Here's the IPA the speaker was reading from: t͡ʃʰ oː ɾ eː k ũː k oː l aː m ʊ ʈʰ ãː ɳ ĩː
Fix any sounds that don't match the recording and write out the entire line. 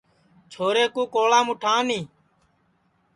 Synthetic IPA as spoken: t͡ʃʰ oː ɾ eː k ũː k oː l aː m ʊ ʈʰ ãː n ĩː

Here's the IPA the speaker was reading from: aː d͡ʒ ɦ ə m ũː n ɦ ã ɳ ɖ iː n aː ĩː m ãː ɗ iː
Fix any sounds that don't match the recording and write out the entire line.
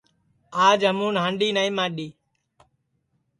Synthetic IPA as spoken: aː d͡ʒ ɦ ə m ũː n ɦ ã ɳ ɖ iː n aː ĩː m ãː ɗ iː

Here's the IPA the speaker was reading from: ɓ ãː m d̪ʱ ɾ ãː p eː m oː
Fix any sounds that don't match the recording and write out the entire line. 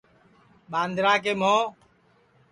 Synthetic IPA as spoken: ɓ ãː n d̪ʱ ɾ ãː k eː m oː

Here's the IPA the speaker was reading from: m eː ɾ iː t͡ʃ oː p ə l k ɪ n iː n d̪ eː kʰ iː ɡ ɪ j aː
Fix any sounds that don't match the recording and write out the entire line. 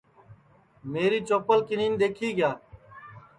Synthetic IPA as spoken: m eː ɾ iː t͡ʃ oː p ə l k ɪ n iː n d̪ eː kʰ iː ɡ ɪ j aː

